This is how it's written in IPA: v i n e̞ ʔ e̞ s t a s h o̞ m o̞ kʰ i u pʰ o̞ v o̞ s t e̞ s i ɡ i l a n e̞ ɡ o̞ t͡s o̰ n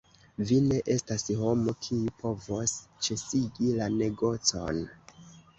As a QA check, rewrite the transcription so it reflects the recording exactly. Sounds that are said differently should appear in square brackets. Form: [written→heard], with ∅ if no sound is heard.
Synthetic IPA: v i n e̞ ʔ e̞ s t a s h o̞ m o̞ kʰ i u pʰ o̞ v o̞ s [t→t͡ʃ] e̞ s i ɡ i l a n e̞ ɡ o̞ t͡s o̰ n